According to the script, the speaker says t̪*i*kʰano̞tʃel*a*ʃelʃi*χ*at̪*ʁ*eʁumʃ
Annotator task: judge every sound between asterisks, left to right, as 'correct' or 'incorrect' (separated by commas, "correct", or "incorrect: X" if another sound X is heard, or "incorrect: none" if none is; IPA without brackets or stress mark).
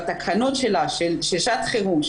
incorrect: a, correct, incorrect: ʃ, incorrect: χ